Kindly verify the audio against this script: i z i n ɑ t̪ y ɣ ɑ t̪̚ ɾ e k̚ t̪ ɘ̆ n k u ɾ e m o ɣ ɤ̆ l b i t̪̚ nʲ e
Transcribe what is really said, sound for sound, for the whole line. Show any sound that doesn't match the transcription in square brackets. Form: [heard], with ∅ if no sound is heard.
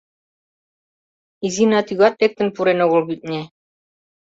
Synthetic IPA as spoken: i z i n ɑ t̪ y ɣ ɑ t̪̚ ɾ e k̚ t̪ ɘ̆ n [p] u ɾ e [n] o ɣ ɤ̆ l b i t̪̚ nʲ e